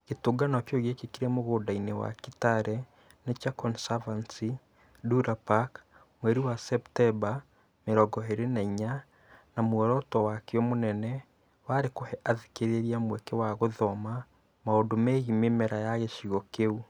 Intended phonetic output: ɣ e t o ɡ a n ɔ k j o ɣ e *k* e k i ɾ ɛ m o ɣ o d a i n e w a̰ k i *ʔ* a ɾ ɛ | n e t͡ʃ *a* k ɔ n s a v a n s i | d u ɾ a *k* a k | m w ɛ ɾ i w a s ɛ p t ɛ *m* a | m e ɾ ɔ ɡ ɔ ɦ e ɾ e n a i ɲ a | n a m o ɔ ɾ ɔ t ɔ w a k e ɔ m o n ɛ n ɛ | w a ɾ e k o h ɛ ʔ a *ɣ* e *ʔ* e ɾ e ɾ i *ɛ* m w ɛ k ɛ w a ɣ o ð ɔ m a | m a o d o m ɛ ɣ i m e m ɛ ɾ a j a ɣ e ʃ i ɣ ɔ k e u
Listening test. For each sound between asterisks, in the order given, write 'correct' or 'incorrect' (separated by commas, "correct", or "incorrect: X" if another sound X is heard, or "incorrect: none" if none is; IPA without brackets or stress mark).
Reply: correct, incorrect: t, correct, incorrect: p, incorrect: b, incorrect: ð, incorrect: k, incorrect: a